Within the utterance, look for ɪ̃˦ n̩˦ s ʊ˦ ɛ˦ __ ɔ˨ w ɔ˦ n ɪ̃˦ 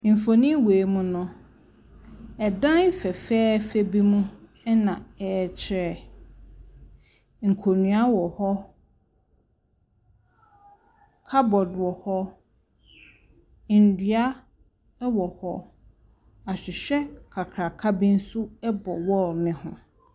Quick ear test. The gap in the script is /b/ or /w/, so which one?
b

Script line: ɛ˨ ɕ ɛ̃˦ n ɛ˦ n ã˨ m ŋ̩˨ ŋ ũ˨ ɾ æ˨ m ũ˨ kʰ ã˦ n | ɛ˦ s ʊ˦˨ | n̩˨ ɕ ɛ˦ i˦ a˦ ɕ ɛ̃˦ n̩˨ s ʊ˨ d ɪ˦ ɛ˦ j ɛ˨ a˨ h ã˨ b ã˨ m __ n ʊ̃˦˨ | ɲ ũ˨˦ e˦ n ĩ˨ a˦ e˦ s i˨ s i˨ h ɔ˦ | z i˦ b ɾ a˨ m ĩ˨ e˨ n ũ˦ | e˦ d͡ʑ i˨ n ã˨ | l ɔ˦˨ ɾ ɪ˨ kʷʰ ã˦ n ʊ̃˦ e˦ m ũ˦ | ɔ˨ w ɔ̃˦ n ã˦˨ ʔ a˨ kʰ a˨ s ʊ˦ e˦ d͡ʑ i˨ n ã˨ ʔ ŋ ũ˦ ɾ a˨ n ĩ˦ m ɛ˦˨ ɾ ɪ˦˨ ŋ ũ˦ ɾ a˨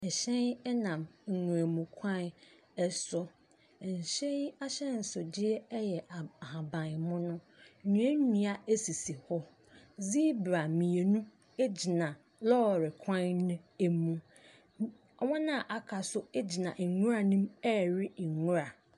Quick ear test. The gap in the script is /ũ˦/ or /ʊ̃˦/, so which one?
ʊ̃˦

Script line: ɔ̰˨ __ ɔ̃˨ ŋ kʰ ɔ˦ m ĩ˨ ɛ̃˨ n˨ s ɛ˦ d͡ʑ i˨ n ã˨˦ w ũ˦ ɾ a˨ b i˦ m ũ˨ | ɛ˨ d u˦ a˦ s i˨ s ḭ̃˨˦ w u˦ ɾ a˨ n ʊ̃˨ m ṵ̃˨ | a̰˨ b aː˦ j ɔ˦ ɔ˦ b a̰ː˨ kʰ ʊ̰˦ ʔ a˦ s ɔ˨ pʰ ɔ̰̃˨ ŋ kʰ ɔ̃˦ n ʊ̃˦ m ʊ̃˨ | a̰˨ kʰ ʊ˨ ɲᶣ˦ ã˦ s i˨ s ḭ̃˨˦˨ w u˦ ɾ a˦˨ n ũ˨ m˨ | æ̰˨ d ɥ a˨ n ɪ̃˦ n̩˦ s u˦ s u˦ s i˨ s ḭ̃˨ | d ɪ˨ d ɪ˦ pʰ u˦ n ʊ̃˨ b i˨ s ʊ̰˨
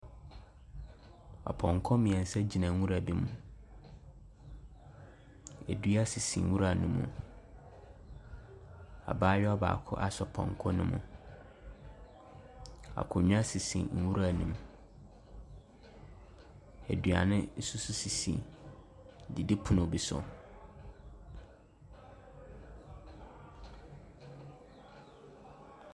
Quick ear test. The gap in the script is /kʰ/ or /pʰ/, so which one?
pʰ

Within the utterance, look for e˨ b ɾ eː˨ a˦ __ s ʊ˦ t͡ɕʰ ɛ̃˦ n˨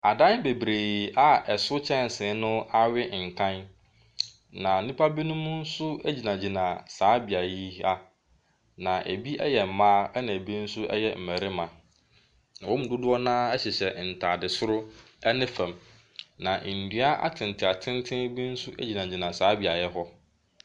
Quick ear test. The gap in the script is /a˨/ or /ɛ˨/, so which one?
ɛ˨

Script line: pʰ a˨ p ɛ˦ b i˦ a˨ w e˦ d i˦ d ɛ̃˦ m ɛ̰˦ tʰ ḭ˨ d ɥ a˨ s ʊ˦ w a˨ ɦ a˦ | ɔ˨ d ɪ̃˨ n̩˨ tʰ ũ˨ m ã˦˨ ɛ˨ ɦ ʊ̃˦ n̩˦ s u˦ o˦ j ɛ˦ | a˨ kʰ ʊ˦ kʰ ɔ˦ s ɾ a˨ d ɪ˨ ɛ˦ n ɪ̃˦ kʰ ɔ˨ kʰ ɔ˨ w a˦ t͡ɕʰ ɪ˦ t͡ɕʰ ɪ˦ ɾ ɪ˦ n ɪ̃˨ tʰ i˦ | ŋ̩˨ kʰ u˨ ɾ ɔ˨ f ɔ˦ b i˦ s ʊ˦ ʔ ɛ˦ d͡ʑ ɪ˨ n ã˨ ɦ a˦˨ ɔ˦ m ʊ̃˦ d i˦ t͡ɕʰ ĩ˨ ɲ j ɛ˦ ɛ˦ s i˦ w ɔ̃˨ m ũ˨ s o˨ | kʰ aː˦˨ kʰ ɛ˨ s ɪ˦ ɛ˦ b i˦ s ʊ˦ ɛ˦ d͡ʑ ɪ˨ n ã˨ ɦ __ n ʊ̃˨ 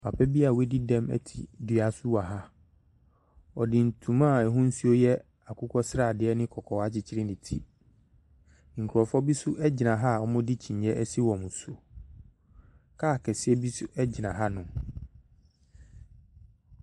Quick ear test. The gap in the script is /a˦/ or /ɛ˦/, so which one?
a˦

